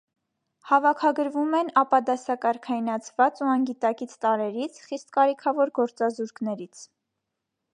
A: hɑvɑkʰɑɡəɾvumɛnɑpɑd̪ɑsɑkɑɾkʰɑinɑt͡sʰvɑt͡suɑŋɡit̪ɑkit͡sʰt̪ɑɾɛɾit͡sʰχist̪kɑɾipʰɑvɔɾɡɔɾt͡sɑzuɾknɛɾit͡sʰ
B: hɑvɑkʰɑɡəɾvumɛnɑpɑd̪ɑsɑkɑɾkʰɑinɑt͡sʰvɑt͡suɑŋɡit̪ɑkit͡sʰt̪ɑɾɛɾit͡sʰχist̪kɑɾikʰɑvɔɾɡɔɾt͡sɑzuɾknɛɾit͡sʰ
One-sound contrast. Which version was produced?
B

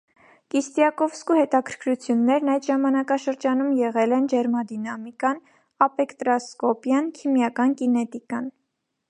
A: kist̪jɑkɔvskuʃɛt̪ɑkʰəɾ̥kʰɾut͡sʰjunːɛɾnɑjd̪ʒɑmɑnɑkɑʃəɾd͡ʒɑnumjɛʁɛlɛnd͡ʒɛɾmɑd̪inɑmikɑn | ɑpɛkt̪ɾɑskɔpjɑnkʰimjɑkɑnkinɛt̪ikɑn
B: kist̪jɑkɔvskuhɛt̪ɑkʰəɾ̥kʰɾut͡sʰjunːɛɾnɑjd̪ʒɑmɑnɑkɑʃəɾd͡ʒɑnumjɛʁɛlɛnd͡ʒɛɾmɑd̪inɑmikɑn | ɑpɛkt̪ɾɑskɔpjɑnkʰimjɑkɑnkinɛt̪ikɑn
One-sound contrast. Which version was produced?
B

